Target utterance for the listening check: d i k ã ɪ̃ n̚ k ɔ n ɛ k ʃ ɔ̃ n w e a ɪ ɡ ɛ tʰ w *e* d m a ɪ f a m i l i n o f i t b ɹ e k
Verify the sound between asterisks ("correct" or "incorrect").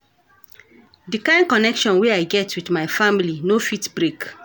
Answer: incorrect